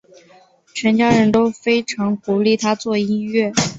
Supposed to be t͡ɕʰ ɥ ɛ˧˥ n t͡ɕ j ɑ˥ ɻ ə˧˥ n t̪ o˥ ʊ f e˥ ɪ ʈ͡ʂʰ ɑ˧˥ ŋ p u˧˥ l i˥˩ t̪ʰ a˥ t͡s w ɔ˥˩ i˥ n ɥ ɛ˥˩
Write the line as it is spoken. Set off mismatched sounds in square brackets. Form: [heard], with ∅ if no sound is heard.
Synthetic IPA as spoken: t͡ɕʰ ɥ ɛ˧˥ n t͡ɕ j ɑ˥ ɻ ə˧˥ n t̪ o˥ ʊ f e˥ ɪ ʈ͡ʂʰ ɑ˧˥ ŋ [k] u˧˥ l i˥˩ t̪ʰ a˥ t͡s w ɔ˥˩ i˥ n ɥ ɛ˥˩